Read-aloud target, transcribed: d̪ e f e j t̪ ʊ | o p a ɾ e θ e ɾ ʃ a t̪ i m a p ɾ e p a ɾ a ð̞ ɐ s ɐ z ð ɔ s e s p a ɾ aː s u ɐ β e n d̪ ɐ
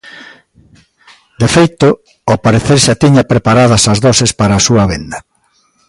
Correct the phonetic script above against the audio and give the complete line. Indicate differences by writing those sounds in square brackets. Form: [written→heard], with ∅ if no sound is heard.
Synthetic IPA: d̪ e f e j t̪ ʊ | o p a ɾ e θ e ɾ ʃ a t̪ i [m→ɲ] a p ɾ e p a ɾ a ð̞ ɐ s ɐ z ð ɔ s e s p a ɾ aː s u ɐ β e n d̪ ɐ